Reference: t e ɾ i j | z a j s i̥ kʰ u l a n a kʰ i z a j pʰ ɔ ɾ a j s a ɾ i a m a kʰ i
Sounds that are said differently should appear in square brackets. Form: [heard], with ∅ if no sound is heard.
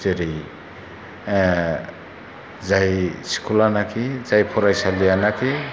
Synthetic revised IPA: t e ɾ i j | z a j s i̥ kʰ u l a n a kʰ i z a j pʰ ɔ ɾ a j s a [l] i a [n] a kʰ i